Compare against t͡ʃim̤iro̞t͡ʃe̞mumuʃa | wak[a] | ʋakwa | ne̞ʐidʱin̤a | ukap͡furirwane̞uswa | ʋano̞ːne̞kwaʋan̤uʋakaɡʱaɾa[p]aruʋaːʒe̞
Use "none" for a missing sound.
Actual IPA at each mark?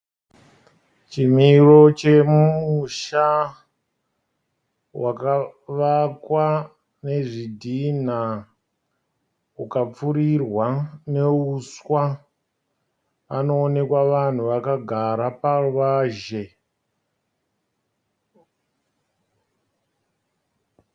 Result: a, p

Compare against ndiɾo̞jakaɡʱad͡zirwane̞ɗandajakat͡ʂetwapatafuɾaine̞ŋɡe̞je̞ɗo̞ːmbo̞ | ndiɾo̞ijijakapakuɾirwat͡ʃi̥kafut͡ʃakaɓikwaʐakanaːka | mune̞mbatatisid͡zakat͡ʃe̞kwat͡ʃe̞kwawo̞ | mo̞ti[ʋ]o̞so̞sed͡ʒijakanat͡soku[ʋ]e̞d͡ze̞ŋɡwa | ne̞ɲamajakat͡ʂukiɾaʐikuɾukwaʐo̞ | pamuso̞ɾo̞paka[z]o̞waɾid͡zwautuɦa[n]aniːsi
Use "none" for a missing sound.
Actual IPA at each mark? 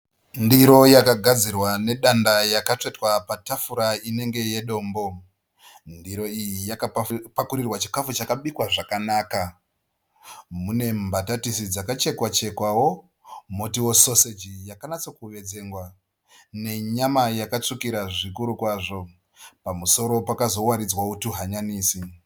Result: w, ʋ, z, ɲ

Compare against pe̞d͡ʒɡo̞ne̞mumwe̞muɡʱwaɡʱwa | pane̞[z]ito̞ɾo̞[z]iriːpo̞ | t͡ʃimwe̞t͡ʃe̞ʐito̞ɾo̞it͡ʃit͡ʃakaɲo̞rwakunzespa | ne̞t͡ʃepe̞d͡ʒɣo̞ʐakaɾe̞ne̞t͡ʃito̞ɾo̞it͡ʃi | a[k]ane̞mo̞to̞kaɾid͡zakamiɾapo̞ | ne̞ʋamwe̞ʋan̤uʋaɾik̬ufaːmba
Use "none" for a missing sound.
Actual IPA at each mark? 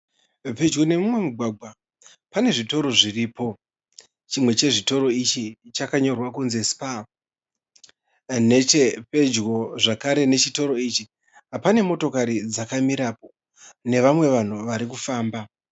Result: ʐ, ʐ, p

